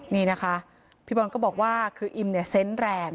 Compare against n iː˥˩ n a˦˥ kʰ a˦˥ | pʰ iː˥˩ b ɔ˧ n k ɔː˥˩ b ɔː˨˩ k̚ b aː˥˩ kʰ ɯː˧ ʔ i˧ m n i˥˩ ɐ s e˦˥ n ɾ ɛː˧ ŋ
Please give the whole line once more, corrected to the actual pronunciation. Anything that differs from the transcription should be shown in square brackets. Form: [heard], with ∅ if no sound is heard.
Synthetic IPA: n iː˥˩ n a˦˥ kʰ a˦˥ | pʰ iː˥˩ b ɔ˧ n k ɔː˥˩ b ɔː˨˩ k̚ [w] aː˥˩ kʰ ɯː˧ ʔ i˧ m n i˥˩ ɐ s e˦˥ n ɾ ɛː˧ ŋ